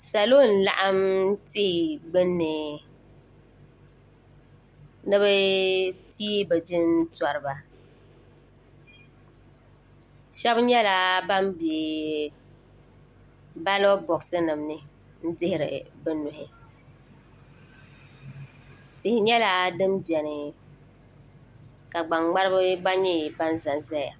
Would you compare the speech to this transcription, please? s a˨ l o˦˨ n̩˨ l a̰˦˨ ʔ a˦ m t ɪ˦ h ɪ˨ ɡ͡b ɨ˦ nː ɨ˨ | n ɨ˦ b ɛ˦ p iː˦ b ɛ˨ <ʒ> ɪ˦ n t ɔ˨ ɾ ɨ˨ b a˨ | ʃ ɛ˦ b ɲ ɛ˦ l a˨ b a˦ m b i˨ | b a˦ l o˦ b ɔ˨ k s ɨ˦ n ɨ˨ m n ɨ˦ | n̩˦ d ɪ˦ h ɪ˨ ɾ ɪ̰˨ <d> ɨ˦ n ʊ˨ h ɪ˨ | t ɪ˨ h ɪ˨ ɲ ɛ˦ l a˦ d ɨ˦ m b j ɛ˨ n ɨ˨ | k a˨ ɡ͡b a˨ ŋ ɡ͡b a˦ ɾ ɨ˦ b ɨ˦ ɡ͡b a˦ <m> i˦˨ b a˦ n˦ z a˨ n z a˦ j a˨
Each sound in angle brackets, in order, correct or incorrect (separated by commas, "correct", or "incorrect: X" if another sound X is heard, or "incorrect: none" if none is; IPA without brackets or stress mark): incorrect: d͡ʒ, incorrect: b, incorrect: ɲ